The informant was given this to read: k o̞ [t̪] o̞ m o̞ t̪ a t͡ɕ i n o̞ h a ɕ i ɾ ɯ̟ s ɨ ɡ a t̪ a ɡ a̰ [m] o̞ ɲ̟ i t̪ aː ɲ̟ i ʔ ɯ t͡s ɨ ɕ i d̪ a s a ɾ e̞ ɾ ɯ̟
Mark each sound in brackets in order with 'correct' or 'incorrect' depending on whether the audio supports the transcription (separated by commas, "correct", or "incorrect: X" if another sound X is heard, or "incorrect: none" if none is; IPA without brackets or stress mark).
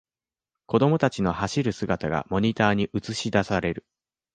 incorrect: d̪, correct